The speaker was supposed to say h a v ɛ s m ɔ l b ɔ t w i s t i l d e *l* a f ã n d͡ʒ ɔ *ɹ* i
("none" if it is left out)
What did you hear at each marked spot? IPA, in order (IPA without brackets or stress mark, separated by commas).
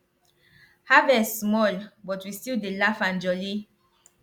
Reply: l, l